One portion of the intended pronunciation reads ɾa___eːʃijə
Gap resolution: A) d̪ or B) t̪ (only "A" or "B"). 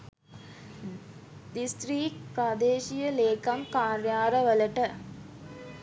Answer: A